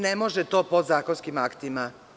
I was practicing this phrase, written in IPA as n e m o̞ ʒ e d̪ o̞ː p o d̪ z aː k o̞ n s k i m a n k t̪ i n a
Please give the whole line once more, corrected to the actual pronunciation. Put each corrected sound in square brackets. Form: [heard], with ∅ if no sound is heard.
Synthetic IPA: n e m o̞ ʒ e [t̪] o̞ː p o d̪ z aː k o̞ n s k i m a [∅] k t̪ i [m] a